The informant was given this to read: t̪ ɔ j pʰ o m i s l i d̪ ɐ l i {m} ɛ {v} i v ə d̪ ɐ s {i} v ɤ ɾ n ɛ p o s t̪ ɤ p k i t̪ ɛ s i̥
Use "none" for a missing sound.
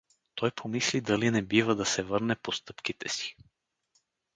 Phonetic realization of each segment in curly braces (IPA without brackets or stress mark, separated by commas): n, b, ɛ